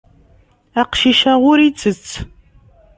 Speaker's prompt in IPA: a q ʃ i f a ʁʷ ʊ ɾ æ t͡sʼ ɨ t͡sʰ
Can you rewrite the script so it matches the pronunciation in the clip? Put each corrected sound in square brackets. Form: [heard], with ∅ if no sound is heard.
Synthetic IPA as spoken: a q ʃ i [ʃ] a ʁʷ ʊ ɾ [i] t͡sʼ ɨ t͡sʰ